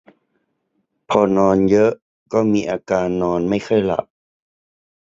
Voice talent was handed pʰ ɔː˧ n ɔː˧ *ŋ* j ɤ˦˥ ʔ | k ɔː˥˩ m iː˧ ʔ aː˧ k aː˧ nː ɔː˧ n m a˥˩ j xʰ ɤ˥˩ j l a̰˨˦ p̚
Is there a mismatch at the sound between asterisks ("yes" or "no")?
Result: yes